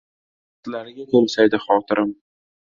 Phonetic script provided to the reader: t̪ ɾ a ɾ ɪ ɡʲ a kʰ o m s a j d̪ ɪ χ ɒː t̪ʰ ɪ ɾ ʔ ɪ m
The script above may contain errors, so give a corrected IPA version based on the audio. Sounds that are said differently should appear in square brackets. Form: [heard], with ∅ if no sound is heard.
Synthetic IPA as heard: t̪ [l] a ɾ ɪ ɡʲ a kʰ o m s a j d̪ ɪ χ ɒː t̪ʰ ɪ ɾ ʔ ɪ m